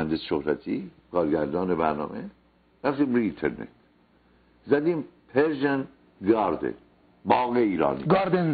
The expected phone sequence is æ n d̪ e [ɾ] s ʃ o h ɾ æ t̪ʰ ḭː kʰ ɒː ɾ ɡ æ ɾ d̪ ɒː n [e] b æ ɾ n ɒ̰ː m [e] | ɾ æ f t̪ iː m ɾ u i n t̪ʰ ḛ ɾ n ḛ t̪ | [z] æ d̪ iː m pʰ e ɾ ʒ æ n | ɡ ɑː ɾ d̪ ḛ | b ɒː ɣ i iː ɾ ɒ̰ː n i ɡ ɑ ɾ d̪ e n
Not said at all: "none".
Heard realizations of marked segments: none, e, e, z

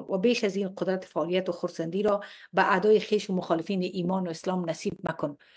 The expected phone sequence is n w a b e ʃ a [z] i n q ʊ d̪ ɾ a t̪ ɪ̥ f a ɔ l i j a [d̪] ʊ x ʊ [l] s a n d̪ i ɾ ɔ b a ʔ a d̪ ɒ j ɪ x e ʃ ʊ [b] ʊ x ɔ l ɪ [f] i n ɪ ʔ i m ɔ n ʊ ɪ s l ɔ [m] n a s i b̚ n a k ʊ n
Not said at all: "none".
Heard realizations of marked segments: z, t̪, ɾ, m, f, m

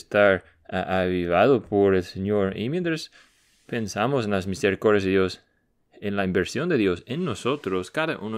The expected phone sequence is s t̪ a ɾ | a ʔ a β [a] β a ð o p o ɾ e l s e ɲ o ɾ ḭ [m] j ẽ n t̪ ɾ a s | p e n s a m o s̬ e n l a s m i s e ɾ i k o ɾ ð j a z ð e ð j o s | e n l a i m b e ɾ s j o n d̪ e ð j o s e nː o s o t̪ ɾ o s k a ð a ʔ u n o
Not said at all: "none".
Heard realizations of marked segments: i, m

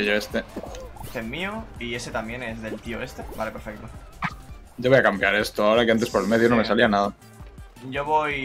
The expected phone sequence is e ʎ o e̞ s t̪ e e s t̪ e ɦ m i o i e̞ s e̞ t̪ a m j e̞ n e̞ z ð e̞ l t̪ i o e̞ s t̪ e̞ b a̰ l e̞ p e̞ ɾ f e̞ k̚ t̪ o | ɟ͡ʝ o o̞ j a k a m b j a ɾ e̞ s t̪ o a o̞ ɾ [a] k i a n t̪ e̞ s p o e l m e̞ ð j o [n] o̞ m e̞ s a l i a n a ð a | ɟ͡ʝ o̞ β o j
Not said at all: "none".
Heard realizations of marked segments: a, n

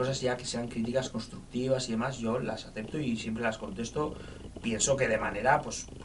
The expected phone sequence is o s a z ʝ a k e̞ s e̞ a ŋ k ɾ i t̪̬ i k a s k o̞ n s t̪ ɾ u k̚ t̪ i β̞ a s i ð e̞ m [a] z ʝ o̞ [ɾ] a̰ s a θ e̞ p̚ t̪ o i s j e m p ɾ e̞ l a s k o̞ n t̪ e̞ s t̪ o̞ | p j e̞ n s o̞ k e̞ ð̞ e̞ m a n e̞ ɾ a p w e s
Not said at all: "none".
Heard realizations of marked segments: a, l

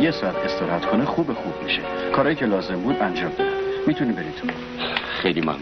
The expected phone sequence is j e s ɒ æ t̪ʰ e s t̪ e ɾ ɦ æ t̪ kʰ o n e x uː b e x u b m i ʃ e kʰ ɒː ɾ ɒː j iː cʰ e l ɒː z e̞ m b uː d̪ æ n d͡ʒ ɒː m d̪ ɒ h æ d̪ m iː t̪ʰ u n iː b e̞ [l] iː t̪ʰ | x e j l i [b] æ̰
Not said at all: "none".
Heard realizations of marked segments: ɾ, m

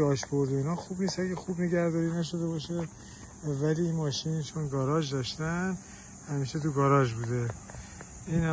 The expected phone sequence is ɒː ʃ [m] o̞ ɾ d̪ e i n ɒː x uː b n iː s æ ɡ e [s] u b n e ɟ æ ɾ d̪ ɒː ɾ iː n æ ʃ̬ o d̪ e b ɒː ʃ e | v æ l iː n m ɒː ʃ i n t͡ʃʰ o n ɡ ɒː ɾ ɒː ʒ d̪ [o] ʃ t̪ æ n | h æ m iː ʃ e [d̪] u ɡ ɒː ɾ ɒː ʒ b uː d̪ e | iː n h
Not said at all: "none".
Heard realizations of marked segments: b, x, ɒ, t̪

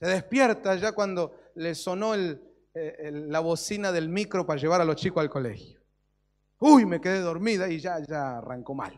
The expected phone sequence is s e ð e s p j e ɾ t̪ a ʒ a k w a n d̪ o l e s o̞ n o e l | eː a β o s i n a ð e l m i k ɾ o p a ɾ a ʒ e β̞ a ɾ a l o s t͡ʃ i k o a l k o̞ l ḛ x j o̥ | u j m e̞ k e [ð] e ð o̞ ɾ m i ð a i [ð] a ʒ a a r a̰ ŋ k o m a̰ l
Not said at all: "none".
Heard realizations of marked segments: ð, ʒ

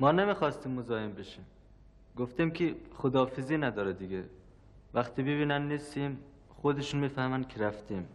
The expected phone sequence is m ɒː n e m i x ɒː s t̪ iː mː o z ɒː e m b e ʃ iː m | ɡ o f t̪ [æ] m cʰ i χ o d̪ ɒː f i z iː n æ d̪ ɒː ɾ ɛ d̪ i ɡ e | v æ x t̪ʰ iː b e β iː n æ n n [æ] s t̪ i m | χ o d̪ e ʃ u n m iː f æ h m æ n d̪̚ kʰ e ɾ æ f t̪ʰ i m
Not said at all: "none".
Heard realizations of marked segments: i, i

